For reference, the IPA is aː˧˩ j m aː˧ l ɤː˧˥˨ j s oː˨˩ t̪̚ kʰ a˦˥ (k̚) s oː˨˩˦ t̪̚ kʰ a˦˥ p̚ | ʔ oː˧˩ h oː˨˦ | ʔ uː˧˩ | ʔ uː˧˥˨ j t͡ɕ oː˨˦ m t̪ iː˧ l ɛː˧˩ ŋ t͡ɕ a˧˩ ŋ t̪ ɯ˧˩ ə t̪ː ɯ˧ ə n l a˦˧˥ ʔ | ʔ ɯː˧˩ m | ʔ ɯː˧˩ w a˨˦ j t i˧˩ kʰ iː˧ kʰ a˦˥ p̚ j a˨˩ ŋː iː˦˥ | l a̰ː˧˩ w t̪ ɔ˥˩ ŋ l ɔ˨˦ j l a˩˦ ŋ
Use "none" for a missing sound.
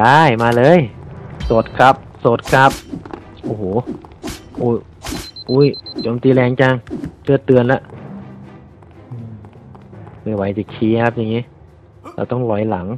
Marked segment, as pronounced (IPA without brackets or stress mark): p̚